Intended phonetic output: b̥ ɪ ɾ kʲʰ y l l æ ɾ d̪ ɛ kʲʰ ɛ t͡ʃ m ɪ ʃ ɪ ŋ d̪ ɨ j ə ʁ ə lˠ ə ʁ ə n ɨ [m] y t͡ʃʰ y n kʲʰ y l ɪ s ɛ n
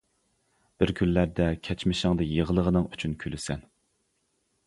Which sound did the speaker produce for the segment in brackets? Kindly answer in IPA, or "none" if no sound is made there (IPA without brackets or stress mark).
ŋ